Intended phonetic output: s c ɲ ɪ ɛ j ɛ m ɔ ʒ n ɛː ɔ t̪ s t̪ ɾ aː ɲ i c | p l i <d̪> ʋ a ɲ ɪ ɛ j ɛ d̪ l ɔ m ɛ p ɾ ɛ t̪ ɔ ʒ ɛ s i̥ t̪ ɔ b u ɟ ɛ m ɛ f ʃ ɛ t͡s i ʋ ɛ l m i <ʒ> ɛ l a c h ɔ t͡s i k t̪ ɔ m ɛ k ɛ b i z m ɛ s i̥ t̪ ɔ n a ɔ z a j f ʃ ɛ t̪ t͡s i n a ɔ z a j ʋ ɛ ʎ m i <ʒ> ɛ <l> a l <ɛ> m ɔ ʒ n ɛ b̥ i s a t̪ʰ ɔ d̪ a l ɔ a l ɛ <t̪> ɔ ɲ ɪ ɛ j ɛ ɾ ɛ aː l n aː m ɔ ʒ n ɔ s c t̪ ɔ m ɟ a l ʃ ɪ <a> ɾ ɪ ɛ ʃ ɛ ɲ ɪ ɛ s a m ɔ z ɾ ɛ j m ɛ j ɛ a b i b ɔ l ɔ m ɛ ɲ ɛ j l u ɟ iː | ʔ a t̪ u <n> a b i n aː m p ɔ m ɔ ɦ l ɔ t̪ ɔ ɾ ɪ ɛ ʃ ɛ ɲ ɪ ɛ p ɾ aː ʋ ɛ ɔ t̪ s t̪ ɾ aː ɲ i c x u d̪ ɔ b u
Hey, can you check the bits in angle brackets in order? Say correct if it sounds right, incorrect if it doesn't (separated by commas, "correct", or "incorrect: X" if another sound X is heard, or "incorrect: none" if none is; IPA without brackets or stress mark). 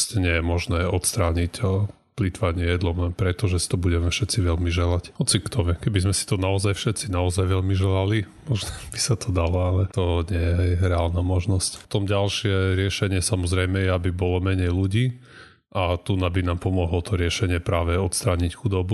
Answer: incorrect: t̪, correct, correct, correct, incorrect: i, correct, incorrect: ɛ, correct